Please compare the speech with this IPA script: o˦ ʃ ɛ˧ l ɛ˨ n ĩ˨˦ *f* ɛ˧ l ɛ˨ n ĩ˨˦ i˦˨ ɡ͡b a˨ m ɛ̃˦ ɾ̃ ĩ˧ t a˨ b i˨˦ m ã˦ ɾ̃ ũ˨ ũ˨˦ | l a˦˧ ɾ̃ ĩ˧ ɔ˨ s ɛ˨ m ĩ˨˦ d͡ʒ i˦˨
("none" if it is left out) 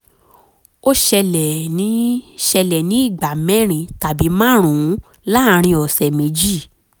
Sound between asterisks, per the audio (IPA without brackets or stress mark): ʃ